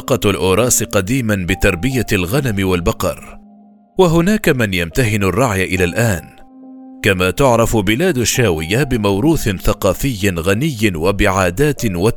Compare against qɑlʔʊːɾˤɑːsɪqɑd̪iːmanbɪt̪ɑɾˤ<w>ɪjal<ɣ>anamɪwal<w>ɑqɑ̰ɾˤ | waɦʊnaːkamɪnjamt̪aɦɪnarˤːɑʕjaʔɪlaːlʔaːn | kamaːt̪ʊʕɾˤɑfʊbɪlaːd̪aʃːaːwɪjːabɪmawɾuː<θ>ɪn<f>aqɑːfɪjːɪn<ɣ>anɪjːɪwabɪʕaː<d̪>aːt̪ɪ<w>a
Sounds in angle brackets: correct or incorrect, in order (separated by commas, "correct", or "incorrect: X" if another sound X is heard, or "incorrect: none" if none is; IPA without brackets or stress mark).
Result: incorrect: b, correct, incorrect: b, correct, incorrect: θ, correct, correct, correct